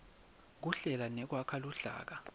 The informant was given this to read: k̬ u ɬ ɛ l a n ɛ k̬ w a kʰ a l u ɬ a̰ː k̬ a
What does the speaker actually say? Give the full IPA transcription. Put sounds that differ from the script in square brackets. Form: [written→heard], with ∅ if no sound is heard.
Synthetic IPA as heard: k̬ u ɬ ɛ l a n ɛ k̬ w a kʰ a l u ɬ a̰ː k̬ a